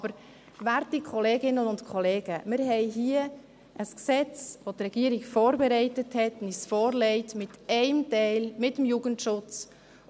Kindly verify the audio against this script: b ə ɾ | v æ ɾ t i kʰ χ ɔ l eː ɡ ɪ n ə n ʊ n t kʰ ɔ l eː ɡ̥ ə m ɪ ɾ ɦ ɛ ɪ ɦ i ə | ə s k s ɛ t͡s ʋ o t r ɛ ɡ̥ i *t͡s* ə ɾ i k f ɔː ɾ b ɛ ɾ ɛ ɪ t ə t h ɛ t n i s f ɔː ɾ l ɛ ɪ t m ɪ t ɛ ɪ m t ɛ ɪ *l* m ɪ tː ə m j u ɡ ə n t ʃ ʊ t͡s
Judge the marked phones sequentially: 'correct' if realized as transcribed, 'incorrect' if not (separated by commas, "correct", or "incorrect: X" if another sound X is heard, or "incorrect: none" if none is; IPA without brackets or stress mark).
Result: incorrect: none, correct